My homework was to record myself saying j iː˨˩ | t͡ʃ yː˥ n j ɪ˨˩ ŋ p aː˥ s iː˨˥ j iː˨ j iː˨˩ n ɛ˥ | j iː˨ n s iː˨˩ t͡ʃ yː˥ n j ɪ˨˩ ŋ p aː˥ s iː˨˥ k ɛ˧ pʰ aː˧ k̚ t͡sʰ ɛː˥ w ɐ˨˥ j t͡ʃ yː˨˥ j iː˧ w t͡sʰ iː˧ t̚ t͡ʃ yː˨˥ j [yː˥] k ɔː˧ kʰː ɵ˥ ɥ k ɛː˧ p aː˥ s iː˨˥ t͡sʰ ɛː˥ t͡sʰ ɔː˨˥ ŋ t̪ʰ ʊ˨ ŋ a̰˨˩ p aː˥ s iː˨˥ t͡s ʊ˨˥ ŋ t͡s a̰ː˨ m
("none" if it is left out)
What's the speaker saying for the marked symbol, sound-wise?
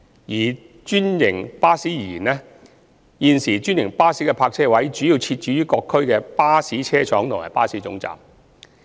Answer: yː˥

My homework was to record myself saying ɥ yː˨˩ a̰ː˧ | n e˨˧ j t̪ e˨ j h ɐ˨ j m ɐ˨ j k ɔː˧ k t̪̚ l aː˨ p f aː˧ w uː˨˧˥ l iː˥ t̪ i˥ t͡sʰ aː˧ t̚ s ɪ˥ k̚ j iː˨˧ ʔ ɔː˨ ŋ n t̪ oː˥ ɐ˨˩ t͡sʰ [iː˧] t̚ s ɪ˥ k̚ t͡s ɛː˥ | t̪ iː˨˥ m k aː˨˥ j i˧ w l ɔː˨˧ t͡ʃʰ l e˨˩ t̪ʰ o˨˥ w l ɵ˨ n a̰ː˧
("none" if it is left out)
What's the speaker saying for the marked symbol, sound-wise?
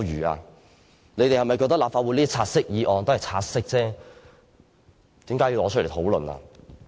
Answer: aː˧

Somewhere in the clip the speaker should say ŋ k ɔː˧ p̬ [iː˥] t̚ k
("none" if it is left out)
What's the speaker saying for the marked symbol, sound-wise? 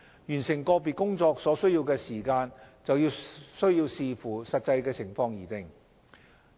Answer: iː˨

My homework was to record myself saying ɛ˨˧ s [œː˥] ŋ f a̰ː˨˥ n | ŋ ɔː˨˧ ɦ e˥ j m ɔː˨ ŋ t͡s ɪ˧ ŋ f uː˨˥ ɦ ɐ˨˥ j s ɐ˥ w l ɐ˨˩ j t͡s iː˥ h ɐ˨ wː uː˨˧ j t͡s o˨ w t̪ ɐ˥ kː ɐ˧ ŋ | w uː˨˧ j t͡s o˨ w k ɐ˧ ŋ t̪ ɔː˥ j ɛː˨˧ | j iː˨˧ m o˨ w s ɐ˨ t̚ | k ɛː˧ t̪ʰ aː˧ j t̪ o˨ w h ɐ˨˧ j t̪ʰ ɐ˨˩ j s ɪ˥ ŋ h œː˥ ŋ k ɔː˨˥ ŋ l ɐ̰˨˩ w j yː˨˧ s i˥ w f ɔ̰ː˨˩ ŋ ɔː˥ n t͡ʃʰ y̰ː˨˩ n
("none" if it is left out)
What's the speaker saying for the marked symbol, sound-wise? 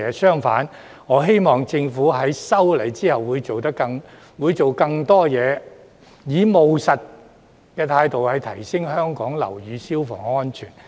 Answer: œː˥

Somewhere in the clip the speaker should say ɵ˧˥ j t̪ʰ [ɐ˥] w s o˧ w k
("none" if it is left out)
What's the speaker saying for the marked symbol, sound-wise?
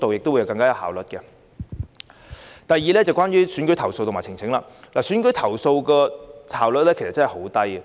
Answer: ɐ˨˩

